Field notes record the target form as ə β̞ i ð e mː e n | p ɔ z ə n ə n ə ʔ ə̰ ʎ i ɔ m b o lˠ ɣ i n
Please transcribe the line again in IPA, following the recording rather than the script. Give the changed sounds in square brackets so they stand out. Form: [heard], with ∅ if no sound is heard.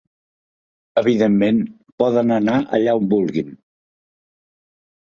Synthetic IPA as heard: ə β̞ i ð e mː e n | p ɔ [ð] ə n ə n [a] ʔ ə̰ ʎ [a] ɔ m b [u] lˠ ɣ i n